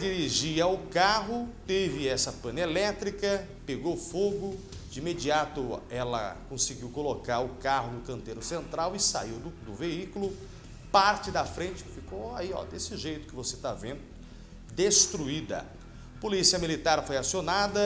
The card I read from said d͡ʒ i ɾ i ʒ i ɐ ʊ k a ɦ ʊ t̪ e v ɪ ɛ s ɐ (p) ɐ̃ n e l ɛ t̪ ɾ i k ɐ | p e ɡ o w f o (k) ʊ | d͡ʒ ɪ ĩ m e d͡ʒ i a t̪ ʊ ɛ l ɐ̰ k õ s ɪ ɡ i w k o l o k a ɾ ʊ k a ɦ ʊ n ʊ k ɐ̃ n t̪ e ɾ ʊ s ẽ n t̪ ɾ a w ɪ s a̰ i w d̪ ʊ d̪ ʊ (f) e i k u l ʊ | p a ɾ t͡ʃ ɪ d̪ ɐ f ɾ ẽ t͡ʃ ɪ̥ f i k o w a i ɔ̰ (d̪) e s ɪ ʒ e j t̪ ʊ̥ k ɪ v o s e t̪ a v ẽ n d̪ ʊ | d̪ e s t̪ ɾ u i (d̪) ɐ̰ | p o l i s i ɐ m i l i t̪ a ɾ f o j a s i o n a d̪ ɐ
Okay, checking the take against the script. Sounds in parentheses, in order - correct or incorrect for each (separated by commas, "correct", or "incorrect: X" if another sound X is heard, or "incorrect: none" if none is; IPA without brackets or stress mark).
correct, incorrect: ɡ, incorrect: v, correct, correct